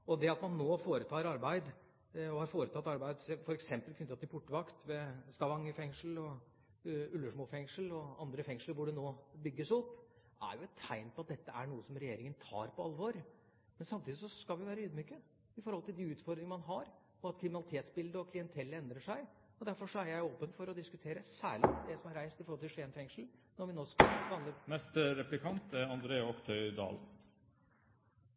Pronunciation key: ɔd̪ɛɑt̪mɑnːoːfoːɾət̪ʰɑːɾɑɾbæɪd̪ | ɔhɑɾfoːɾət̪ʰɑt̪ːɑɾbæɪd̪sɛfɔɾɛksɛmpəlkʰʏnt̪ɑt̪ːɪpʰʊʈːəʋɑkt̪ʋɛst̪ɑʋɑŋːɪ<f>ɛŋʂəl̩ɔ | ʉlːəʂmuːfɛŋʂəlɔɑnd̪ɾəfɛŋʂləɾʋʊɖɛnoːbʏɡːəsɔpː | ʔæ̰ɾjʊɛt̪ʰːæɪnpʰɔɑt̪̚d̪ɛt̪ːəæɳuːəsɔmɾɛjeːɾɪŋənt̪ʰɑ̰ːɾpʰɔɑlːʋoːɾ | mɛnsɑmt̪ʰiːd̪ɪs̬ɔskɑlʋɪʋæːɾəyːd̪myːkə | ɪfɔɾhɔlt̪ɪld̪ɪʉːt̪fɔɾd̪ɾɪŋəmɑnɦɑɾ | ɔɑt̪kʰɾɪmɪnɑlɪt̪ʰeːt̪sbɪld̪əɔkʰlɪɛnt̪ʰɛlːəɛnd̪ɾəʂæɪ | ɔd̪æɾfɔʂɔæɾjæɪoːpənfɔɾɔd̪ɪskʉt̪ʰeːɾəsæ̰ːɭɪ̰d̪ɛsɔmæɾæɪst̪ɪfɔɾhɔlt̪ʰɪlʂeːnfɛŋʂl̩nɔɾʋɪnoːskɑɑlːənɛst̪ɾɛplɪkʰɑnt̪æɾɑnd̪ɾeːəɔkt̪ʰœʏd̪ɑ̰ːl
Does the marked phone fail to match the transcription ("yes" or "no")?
no